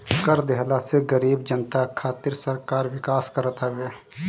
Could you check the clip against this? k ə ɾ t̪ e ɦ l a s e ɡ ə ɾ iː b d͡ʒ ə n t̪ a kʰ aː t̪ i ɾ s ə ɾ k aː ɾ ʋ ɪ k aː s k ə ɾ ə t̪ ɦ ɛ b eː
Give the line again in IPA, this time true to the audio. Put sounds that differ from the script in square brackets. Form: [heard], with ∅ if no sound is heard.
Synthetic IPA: k ə ɾ [d̪] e ɦ l a s e ɡ ə ɾ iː b d͡ʒ ə n t̪ a kʰ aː t̪ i ɾ s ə ɾ k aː ɾ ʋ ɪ k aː s k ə ɾ ə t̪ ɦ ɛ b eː